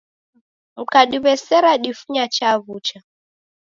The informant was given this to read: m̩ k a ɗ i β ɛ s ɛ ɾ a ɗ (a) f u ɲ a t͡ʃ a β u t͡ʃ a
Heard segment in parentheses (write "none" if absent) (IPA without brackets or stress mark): i